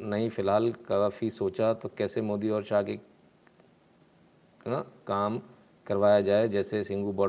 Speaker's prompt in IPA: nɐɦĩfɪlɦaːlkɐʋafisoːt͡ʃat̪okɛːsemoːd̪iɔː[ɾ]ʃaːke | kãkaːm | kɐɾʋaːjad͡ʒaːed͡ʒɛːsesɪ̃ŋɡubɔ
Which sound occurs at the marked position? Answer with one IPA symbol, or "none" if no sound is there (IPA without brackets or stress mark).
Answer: ɾ